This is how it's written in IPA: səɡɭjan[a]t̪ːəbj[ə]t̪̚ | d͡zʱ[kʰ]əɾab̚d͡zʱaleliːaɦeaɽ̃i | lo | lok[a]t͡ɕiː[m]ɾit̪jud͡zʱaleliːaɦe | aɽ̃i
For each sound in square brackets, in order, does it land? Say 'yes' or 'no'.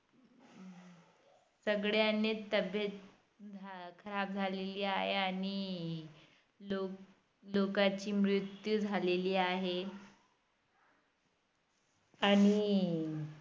no, yes, yes, yes, yes

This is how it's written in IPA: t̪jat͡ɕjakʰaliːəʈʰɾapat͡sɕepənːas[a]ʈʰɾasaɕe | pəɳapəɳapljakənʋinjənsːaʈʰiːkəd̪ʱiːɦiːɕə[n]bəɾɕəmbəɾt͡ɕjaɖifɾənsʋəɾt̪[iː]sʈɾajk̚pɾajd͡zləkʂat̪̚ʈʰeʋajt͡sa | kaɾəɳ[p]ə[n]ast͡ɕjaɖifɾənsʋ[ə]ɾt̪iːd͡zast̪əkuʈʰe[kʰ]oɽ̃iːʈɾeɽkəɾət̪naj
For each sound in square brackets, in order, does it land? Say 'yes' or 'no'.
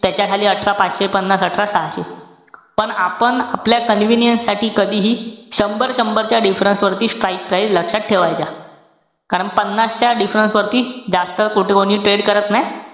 no, no, yes, yes, no, yes, no

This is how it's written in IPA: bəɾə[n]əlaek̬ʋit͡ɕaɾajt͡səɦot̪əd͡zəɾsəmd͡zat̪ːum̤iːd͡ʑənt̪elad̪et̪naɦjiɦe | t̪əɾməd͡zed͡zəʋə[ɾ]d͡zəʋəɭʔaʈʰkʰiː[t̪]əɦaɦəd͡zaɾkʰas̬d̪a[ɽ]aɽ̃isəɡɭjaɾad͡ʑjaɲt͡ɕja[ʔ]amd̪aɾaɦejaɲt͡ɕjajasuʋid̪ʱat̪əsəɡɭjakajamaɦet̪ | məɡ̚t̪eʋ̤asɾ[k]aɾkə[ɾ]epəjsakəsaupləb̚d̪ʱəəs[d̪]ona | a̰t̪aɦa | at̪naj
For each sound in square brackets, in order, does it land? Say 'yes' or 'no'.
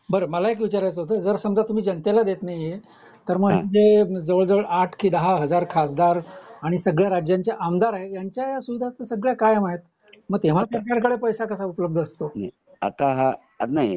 no, no, no, no, yes, yes, no, no

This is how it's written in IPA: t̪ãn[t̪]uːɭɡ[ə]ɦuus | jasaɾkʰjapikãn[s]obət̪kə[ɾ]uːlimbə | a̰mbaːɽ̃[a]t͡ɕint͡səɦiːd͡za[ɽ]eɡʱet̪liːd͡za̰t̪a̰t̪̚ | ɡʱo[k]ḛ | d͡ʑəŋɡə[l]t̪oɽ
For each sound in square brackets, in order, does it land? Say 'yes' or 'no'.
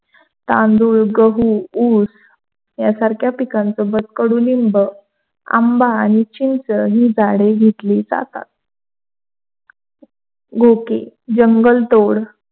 no, yes, no, no, no, yes, yes, yes

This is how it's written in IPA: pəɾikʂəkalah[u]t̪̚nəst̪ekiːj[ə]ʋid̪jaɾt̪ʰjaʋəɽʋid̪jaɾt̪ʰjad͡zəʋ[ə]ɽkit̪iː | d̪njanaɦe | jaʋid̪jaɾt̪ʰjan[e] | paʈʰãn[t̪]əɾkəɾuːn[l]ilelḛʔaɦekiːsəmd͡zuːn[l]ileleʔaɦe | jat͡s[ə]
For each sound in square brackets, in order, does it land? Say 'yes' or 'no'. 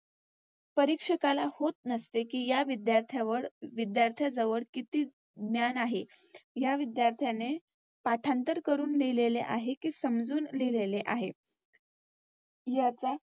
no, no, yes, yes, yes, yes, yes, no

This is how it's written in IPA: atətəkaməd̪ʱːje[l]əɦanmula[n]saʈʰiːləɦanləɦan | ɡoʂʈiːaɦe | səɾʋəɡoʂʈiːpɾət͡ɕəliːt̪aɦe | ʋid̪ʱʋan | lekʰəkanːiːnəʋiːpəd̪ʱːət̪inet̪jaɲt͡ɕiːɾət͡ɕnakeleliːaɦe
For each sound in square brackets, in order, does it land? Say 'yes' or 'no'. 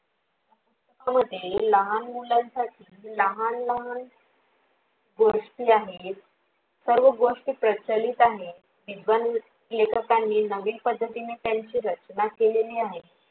yes, yes

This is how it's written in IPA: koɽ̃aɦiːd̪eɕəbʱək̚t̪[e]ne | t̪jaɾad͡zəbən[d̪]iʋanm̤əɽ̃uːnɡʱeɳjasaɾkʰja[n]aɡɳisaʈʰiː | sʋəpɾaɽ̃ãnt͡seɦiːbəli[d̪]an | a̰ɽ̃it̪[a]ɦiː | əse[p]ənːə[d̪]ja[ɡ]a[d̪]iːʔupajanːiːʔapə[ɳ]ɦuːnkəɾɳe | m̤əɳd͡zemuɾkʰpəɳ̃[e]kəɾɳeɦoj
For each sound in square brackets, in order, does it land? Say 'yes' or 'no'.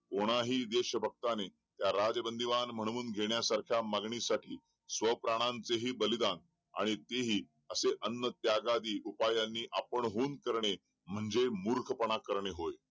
no, yes, no, yes, no, no, no, yes, yes, yes, no

